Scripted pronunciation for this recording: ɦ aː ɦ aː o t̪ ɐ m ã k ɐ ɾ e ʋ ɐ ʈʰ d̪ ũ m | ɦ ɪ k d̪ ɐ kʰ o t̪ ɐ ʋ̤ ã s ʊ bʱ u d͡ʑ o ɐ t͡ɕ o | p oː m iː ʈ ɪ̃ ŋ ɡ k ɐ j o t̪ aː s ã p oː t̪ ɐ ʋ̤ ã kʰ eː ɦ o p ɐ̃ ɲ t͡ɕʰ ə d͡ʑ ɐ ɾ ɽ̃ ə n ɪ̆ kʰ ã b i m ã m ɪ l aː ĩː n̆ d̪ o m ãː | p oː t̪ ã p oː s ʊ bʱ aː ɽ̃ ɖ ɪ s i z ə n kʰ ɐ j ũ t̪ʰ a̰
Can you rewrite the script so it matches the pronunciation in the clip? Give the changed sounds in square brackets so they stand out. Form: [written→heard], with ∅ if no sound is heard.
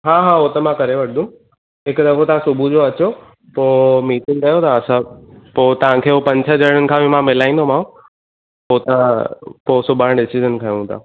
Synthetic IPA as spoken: ɦ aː ɦ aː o t̪ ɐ m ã k ɐ ɾ e ʋ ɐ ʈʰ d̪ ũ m | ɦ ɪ k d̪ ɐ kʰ o t̪ ɐ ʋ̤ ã s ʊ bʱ u d͡ʑ o ɐ t͡ɕ o | p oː m iː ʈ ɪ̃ ŋ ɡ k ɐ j o t̪ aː s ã p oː t̪ ɐ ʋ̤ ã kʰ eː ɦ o p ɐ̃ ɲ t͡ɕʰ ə d͡ʑ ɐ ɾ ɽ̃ ə n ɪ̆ kʰ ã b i m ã m ɪ l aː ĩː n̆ d̪ o m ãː | p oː t̪ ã p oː s ʊ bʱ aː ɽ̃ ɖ ɪ s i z ə n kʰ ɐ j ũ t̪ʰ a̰